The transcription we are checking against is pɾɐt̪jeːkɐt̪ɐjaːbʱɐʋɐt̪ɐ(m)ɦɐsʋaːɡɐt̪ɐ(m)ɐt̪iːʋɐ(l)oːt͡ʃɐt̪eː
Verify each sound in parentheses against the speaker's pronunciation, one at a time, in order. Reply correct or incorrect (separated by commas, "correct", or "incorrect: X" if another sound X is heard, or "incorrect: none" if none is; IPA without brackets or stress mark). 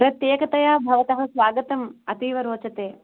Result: incorrect: none, correct, incorrect: ɾ